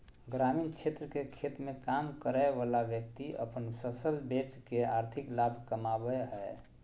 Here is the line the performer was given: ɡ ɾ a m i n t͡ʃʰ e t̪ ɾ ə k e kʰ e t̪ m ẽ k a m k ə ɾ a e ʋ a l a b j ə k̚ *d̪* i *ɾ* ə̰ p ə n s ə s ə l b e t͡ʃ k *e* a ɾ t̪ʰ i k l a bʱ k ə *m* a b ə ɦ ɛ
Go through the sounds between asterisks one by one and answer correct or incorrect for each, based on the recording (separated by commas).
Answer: incorrect, incorrect, correct, correct